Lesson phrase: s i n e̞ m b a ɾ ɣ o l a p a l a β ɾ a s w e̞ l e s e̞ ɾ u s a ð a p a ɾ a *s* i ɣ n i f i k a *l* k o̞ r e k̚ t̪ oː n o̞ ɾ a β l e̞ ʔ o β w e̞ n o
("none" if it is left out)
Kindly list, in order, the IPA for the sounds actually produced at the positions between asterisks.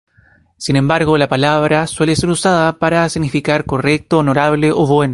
s, ɾ

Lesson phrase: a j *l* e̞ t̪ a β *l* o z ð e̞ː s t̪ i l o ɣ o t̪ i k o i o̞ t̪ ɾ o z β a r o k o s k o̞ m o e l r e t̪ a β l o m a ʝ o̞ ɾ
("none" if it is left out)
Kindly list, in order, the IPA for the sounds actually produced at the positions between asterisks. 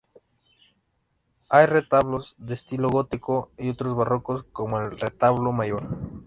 r, l

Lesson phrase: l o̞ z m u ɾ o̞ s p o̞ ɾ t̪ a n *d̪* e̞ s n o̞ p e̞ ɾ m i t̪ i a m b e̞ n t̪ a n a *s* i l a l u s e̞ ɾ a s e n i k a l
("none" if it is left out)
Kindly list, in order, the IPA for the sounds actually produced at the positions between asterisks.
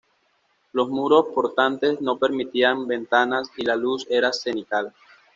t̪, s

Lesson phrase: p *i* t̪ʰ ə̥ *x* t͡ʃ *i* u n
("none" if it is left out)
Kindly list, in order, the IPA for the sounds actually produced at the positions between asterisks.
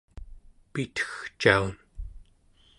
i, x, a

